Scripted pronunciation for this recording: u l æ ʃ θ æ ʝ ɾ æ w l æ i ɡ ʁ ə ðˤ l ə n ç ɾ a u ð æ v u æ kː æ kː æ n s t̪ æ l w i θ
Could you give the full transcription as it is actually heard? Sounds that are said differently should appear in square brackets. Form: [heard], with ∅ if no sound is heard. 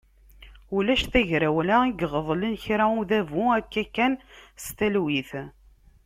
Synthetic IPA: u l æ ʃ θ æ ʝ ɾ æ w l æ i ɡ ʁ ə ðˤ l ə n ç ɾ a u ð æ v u æ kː æ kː æ n s t̪ æ l w i θ